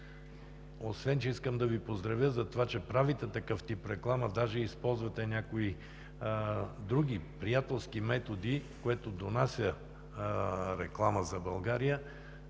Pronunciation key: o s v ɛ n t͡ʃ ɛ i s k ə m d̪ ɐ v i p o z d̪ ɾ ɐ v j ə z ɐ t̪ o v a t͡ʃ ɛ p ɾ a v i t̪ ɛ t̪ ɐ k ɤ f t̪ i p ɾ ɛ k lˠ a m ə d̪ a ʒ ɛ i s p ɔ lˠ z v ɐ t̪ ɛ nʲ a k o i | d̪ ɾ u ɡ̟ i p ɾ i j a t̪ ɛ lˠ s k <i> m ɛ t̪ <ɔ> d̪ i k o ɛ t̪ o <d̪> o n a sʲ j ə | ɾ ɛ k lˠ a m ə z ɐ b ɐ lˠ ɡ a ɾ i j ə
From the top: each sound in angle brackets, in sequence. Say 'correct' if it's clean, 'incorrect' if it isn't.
correct, incorrect: o, correct

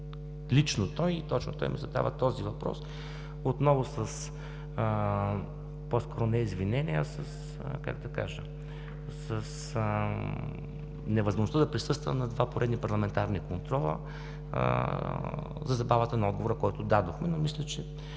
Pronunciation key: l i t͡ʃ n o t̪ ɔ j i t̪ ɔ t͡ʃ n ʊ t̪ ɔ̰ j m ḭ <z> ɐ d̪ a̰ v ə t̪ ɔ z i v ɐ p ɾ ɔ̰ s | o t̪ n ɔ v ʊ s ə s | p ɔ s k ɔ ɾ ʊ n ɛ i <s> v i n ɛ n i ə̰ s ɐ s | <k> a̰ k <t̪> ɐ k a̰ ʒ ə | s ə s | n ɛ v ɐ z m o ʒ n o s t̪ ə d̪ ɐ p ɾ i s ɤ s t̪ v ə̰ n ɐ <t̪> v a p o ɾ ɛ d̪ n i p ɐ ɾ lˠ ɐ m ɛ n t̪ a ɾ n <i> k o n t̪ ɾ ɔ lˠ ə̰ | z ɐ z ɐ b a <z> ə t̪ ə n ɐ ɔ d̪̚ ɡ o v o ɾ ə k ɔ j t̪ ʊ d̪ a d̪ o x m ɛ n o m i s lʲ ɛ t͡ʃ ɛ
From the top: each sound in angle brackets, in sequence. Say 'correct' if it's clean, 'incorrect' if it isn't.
correct, incorrect: z, correct, incorrect: d̪, incorrect: d̪, correct, incorrect: v

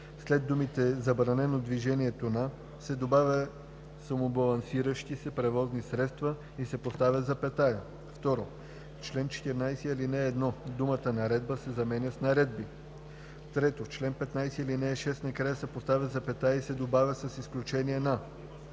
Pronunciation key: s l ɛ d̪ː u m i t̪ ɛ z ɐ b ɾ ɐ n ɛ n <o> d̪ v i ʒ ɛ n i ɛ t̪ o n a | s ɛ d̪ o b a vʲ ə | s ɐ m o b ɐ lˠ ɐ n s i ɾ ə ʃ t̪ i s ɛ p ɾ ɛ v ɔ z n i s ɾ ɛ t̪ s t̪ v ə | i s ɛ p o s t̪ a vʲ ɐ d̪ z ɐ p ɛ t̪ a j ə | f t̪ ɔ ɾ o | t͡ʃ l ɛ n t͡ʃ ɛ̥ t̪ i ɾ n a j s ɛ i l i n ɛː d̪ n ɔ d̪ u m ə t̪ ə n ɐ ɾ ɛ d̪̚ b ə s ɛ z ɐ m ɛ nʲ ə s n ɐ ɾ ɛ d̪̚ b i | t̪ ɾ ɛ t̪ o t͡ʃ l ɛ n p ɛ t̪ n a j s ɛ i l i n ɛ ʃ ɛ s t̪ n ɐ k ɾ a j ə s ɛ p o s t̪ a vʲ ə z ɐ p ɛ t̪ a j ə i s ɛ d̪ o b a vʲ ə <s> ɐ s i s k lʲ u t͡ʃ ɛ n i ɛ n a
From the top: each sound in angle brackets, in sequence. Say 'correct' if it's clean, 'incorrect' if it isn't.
correct, correct

